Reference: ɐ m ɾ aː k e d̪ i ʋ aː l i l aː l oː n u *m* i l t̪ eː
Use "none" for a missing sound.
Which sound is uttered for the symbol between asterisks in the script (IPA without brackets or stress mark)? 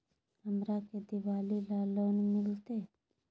m